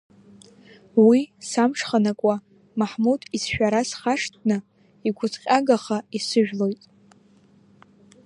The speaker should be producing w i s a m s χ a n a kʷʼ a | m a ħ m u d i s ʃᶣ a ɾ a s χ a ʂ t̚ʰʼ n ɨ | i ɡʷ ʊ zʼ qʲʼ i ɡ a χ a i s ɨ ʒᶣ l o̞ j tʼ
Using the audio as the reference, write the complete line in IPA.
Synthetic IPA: w i s a m ʂ χ a n a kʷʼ a | m a ħ m u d i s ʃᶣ a ɾ a s χ a ʂ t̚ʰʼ n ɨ | i ɡʷ ʊ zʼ qʲʼ a ɡ a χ a i s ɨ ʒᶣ l o̞ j tʼ